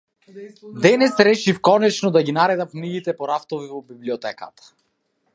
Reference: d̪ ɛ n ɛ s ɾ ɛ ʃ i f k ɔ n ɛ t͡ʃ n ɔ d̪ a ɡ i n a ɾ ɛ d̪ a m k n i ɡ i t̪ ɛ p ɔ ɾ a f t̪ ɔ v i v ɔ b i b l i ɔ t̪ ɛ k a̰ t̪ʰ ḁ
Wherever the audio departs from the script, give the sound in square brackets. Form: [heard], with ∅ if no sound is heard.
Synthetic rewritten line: d̪ ɛ n ɛ s ɾ ɛ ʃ i f k ɔ n ɛ t͡ʃ n ɔ d̪ a ɡ i n a ɾ ɛ d̪ a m k n i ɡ i t̪ ɛ p ɔ ɾ a f t̪ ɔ v i v ɔ b i b l i ɔ t̪ ɛ k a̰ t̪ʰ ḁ